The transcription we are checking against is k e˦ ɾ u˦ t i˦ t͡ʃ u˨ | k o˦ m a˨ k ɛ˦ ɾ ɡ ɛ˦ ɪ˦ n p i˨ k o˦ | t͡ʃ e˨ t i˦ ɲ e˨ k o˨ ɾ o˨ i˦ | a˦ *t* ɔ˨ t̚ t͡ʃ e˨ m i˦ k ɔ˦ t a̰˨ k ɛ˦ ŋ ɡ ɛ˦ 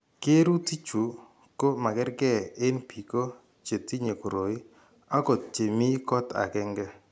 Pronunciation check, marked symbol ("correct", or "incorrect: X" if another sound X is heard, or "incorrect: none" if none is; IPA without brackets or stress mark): incorrect: k